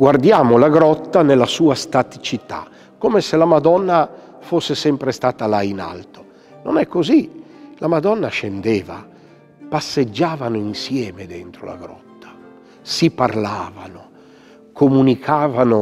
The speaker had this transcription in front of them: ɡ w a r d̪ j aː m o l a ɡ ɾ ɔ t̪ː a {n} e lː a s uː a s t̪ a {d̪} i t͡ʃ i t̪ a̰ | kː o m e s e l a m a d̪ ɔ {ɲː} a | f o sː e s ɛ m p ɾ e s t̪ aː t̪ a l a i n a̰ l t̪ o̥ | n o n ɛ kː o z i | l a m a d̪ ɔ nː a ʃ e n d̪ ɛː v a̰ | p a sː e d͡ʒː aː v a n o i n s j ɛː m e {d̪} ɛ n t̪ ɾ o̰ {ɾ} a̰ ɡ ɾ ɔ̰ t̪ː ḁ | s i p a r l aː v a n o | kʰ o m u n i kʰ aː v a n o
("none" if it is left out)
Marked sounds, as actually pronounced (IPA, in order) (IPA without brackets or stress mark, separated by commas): n, t̪, nː, d̪, l